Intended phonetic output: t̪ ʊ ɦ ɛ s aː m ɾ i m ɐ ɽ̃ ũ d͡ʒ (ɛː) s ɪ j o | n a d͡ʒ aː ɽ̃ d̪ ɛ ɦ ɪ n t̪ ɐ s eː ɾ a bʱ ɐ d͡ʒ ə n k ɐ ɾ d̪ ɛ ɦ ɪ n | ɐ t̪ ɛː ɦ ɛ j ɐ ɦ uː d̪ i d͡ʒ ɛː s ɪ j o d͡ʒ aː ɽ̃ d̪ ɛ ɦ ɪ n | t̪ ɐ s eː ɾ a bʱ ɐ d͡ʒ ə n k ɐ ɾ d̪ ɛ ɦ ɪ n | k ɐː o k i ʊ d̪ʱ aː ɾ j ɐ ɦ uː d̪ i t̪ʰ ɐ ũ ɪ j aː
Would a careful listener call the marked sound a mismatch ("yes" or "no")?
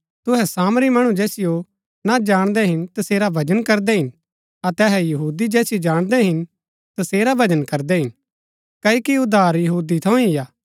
no